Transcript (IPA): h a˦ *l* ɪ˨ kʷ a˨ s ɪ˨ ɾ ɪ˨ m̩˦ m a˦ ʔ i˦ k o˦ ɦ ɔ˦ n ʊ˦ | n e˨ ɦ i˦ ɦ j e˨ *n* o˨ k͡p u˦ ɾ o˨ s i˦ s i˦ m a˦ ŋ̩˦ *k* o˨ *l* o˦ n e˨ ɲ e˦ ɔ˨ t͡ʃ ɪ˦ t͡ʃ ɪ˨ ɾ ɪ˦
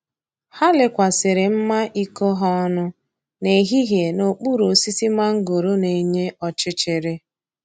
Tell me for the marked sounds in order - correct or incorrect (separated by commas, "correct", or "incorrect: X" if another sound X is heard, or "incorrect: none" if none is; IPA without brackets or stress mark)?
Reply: correct, correct, incorrect: ɡ, incorrect: ɾ